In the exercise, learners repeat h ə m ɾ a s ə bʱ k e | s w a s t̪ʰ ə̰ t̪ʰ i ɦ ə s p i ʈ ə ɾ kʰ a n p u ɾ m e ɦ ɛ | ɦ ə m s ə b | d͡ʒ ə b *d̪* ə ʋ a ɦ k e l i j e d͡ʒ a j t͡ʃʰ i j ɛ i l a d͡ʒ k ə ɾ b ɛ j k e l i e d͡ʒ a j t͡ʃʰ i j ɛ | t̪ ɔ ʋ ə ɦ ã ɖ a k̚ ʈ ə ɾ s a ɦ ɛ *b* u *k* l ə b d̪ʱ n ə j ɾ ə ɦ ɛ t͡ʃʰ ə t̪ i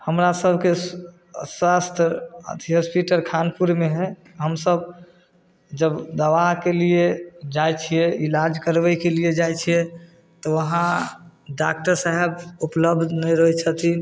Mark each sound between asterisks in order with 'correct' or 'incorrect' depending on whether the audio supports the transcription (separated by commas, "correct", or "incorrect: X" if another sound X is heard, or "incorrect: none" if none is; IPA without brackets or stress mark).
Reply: correct, correct, incorrect: p